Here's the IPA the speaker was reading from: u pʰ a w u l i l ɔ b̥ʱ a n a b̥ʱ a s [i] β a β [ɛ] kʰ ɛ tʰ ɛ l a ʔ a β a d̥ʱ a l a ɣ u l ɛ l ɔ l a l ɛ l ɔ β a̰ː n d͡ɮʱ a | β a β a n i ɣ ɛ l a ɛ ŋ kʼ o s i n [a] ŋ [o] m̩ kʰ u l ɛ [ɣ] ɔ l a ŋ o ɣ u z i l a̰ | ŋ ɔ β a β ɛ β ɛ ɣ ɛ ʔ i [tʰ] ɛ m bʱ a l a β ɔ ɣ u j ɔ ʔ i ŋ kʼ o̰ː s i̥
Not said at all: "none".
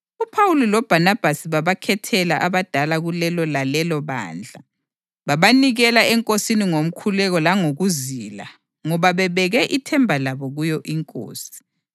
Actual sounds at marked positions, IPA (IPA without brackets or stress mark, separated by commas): i, a, i, o, ɣ, tʰ